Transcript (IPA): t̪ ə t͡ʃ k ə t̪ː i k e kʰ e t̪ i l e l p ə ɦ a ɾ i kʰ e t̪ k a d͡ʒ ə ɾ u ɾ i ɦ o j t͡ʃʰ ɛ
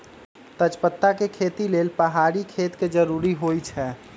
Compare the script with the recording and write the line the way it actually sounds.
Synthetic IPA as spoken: t̪ ə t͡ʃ p ə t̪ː a k e kʰ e t̪ i l e l p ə ɦ a ɾ i kʰ e t̪ k e d͡ʒ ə ɾ u ɾ i ɦ o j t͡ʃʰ ɛ

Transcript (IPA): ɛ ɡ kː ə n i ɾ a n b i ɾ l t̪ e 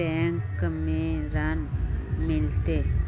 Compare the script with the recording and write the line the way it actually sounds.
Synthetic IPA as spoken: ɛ ŋ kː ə m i ɾ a n m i l t̪ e

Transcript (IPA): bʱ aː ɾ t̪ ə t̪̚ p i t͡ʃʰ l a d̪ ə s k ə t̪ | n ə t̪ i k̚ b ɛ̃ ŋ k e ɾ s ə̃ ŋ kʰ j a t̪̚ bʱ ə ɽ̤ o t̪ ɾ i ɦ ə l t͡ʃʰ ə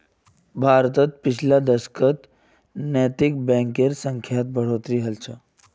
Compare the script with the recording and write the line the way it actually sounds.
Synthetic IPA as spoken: bʱ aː ɾ t̪ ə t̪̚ p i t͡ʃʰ l a d̪ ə s k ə t̪ | n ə t̪ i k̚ b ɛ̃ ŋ k e ɾ s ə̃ ŋ kʰ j a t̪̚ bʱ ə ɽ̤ o t̪ ɾ i ɦ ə l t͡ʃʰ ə

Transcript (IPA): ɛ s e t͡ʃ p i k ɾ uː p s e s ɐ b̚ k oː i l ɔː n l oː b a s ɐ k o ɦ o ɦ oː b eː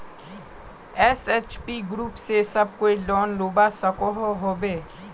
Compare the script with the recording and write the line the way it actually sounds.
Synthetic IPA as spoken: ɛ s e t͡ʃ p i ɡ ɾ uː p s e s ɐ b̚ k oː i l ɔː n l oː b a s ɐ k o ɦ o ɦ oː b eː

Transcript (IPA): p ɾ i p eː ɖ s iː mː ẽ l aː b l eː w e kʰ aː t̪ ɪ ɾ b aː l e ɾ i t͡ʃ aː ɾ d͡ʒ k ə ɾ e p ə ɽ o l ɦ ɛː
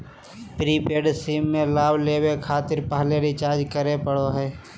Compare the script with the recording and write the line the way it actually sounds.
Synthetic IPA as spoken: p ɾ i p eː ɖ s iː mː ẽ l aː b l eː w e kʰ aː t̪ ɪ ɾ p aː l e ɾ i t͡ʃ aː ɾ d͡ʒ k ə ɾ e p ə ɽ o ɦ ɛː

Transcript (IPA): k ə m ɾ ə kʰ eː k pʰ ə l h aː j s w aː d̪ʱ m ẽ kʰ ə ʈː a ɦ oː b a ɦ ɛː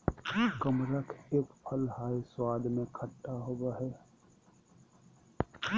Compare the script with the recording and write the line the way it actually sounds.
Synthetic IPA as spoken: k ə m ɾ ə kʰ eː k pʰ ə l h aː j s w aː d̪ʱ m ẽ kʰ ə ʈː a ɦ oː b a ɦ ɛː

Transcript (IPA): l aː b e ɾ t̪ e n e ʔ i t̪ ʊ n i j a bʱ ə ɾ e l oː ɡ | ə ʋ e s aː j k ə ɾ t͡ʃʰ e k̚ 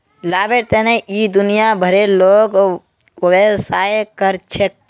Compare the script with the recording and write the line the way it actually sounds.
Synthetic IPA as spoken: l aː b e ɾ t̪ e n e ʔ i d̪ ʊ n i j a bʱ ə ɾ e l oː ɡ | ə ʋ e s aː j k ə ɾ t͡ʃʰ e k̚

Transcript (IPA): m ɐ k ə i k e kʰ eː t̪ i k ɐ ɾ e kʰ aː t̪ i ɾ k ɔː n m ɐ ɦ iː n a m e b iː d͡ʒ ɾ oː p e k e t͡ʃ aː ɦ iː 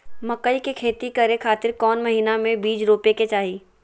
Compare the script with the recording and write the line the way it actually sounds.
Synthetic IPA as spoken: m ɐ k ə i k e kʰ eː t̪ i k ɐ ɾ e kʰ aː t̪ ɪ ɾ k ɔː n m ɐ ɦ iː n a m ẽ b iː d͡ʒ ɾ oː p e k e t͡ʃ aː ɦ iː

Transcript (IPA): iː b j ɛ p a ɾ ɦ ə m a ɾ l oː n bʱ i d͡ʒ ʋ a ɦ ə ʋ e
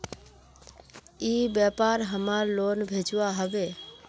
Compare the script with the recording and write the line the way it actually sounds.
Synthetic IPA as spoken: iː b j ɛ p a ɾ ɦ ə m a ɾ l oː n bʱ e d͡ʒ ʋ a ɦ ə ʋ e

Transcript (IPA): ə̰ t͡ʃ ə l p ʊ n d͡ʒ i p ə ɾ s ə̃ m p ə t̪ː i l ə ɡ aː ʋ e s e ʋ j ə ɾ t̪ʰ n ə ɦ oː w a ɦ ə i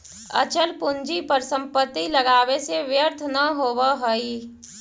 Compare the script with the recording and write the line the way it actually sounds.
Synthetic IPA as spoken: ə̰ t͡ʃ ə l p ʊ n d͡ʒ i p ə ɾ s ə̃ m p ə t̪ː i l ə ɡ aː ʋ e s e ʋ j ə ɾ t̪ʰ n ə ɦ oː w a ɦ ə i

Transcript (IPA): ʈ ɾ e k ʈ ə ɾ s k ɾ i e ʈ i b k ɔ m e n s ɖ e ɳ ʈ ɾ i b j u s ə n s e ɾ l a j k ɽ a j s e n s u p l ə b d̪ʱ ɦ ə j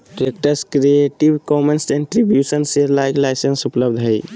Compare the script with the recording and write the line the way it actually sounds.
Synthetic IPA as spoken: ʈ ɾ e k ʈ ə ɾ s k ɾ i e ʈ i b k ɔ m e n s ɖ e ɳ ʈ ɾ i b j u s ə n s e ɾ l a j k l a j s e n s u p l ə b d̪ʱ ɦ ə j

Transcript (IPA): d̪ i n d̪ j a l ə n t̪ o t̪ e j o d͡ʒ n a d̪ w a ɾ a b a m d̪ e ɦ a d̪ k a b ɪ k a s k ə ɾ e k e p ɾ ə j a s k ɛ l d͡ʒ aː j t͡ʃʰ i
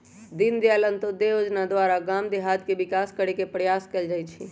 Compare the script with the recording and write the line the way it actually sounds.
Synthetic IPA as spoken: d̪ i n d̪ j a l ə n t̪ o d̪ e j o d͡ʒ n a d̪ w a ɾ a ɡ a m d̪ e ɦ a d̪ k e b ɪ k a s k ə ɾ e k e p ɾ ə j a s k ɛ l d͡ʒ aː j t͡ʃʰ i

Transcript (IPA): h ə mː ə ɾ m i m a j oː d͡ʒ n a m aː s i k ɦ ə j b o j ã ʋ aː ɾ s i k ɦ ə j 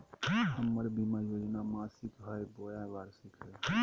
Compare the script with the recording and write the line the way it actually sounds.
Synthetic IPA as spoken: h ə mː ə ɾ b i m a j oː d͡ʒ n a m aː s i k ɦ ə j b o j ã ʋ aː ɾ s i k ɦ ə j

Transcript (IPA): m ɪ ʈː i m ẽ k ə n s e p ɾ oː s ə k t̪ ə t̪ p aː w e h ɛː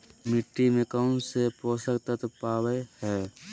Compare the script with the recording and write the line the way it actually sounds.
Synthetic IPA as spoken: m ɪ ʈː i m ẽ k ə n s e p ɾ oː s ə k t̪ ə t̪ p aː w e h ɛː

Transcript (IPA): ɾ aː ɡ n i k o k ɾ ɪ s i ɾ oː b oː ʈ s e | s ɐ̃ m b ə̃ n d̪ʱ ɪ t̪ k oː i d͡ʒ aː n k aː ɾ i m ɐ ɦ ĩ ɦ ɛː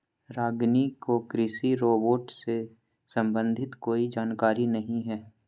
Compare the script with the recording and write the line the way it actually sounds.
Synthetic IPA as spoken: ɾ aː ɡ n i k o k ɾ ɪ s i ɾ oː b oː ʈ s e | s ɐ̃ m b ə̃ n d̪ʱ ɪ t̪ k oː i d͡ʒ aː n k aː ɾ i n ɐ ɦ ĩ ɦ ɛː

